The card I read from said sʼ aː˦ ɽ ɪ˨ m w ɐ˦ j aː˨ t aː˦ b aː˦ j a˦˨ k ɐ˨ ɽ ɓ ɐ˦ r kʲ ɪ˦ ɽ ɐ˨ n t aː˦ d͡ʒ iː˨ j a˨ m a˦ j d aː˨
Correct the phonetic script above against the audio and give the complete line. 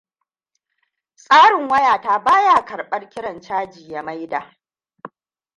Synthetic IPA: sʼ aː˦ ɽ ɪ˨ ŋ w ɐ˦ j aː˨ t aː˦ b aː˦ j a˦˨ k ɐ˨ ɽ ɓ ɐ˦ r kʲ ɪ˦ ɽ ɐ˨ n t͡ʃ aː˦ d͡ʒ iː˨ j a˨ m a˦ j d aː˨